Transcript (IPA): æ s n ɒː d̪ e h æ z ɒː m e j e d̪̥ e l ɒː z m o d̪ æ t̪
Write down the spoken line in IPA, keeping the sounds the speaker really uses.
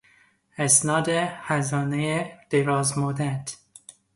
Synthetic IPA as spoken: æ s n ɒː d̪ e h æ z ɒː n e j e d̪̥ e ɾ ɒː z m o d̪ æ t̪